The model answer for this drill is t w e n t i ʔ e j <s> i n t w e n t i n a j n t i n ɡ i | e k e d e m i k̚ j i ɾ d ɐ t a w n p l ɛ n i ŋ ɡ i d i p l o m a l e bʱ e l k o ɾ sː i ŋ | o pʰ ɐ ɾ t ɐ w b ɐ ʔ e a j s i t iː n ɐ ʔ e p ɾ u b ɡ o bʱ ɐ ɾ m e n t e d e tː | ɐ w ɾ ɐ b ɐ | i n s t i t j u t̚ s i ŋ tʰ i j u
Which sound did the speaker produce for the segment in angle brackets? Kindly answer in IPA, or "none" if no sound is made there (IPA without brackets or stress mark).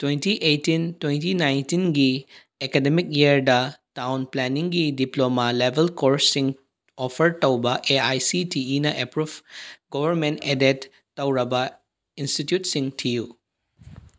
t